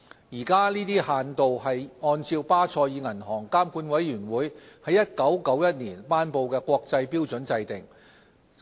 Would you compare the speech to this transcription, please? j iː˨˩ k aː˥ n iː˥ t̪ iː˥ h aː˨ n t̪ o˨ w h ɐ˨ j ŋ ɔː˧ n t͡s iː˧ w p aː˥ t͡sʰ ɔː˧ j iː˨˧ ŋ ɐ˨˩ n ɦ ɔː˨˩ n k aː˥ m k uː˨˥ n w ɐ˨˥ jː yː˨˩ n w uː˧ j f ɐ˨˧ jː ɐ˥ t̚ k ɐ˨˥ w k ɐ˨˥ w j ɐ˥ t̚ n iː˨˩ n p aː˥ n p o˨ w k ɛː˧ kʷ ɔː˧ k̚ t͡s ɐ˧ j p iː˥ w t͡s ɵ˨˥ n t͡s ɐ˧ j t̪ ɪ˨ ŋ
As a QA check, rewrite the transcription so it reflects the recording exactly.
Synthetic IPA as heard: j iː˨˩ k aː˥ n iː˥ t̪ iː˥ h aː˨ n t̪ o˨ w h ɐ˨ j ŋ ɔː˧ n t͡s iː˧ w p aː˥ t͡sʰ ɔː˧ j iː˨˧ ŋ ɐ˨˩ n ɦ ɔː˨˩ ŋ k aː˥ m k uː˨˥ n w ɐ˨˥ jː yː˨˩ n w uː˨˥ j h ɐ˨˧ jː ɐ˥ t̚ k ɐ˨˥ w k ɐ˨˥ w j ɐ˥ t̚ n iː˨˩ n p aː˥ n p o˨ w k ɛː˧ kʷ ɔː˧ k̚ t͡s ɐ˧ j p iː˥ w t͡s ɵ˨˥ n t͡s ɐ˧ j t̪ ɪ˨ ŋ